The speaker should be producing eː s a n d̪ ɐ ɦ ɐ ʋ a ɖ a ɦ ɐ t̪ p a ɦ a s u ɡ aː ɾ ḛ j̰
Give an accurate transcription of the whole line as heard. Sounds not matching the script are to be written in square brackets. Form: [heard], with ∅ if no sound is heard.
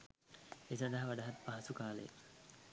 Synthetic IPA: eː s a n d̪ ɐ ɦ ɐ ʋ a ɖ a ɦ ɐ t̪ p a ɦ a s u [k] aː [l] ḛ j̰